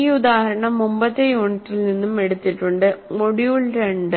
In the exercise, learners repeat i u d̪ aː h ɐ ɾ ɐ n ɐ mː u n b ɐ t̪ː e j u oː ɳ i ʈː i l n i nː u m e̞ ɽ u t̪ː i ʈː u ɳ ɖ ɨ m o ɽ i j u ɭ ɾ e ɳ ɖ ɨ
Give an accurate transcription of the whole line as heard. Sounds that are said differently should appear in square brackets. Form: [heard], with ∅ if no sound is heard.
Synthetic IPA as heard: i u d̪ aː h ɐ ɾ ɐ [ɳ] ɐ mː u [m] b ɐ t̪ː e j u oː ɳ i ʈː i l n i nː u m e̞ ɽ u t̪ː i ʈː u ɳ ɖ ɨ m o ɽ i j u ɭ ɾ e ɳ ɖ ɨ